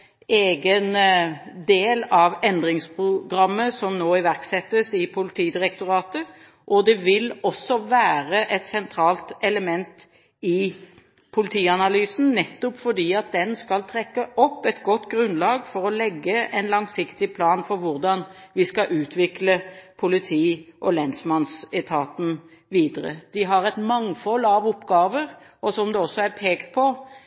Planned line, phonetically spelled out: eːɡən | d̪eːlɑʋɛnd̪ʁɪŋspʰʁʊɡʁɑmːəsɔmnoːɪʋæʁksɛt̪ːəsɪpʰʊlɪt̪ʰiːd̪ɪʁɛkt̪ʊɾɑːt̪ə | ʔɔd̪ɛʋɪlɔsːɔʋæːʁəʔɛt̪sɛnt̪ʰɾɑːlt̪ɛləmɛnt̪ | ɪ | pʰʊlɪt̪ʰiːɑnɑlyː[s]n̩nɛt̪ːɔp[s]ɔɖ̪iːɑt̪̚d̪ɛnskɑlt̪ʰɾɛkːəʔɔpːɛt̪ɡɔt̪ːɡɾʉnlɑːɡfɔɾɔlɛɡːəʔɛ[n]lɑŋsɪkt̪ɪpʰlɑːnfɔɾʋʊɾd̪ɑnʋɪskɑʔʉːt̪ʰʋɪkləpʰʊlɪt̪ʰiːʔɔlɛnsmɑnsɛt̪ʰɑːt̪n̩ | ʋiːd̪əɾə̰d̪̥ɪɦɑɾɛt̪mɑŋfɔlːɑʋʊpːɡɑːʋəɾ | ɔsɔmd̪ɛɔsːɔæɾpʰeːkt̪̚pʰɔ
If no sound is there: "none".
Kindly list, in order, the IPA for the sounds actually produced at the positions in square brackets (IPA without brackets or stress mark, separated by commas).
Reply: s, f, n